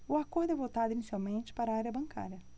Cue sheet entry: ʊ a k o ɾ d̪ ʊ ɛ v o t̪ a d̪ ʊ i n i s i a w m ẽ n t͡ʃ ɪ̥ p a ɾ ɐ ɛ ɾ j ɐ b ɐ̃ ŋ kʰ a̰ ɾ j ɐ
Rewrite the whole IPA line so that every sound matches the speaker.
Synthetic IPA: ʊ a k o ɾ d̪ ʊ ɛ v o t̪ a d̪ ʊ i n i s i a w m ẽ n t͡ʃ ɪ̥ p a ɾ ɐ a ɾ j ɐ b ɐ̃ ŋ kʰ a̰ ɾ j ɐ